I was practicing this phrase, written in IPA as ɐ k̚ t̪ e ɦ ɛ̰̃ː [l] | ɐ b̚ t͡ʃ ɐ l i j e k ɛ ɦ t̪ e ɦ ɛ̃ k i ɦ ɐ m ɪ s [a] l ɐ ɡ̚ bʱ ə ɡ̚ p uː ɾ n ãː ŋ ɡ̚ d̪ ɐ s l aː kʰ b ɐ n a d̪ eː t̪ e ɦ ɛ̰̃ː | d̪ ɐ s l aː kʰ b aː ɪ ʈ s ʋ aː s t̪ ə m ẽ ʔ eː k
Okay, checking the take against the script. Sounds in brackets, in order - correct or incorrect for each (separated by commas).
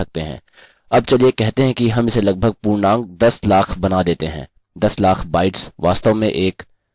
incorrect, incorrect